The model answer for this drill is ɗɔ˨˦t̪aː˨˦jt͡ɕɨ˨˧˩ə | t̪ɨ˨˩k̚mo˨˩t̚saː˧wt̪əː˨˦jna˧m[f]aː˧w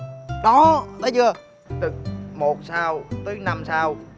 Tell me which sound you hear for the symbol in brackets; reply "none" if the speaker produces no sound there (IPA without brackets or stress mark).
s